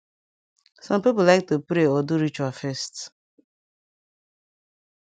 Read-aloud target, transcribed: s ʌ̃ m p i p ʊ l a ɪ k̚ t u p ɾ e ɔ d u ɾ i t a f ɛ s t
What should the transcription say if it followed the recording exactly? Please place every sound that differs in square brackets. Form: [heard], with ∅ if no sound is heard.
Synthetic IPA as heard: s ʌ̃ m p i p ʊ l a ɪ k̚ t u p ɾ e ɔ d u ɾ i [t͡ʃ] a f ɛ s t